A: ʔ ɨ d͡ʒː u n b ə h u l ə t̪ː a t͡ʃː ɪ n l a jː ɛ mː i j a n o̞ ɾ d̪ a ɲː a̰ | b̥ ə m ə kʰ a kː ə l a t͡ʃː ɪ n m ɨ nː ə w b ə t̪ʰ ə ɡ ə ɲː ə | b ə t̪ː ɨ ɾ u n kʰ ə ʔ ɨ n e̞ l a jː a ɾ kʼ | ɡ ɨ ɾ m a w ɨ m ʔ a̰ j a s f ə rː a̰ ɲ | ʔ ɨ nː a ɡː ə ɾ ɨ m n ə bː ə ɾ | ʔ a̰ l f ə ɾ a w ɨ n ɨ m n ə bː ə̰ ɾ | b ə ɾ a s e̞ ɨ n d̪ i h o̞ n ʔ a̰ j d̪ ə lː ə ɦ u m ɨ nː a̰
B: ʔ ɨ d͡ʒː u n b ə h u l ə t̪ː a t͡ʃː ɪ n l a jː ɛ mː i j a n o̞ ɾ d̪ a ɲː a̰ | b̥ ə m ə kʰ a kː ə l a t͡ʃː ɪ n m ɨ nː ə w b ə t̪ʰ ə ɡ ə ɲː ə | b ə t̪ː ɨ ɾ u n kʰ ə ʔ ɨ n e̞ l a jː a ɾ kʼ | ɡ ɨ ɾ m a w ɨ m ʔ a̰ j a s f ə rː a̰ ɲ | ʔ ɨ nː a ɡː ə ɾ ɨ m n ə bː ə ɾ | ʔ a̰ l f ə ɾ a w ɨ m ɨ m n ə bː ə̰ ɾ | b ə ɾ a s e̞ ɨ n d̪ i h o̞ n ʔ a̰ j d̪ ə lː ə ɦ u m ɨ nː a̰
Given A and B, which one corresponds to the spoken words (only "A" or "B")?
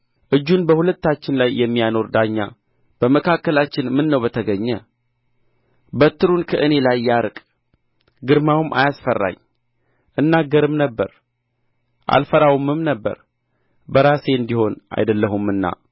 B